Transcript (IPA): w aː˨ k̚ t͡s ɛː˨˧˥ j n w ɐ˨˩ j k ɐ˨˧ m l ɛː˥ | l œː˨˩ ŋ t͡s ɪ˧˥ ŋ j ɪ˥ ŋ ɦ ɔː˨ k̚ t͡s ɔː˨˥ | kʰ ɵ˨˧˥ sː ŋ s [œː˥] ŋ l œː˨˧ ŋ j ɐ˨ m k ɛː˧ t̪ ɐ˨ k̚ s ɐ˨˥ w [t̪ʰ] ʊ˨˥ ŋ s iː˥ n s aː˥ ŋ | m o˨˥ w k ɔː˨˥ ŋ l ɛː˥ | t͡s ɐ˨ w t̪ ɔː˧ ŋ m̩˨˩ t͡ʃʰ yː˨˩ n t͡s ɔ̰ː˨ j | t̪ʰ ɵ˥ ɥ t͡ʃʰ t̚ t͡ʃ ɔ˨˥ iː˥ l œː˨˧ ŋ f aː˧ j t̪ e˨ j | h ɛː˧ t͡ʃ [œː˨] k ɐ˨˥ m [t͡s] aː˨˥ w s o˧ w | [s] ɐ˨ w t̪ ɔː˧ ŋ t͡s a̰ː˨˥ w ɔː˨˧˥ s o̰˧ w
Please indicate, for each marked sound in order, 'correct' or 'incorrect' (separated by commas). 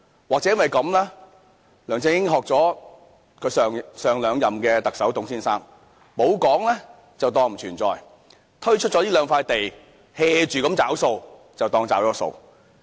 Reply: incorrect, incorrect, incorrect, correct, incorrect